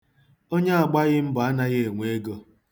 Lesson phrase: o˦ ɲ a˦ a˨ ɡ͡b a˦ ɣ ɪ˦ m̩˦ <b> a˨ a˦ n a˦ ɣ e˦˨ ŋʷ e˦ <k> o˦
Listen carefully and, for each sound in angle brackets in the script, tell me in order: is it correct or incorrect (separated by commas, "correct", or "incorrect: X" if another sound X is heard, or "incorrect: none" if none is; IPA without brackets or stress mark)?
correct, incorrect: ɡ